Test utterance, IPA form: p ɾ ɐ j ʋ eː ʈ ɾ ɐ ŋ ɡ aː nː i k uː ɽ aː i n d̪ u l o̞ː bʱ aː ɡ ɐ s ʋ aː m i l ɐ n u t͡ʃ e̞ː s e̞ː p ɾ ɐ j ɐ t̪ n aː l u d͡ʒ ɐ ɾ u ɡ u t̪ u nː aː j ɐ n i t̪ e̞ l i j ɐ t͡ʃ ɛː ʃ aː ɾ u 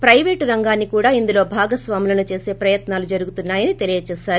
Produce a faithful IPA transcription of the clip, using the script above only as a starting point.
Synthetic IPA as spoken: p ɾ ɐ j ʋ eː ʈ ɾ ɐ ŋ ɡ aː nː i k uː ɽ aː i n d̪ u l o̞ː bʱ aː ɡ ɐ s ʋ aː m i l ɐ n u t͡ʃ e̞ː s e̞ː p ɾ ɐ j ɐ t̪ n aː l u d͡ʒ ɐ ɾ u ɡ u t̪ u nː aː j ɐ n i t̪ e̞ l i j ɐ t͡ʃ ɛː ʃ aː ɾ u